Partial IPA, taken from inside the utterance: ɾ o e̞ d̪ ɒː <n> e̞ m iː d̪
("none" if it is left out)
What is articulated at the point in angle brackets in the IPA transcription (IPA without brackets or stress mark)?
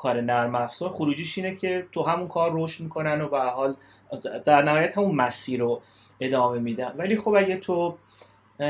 m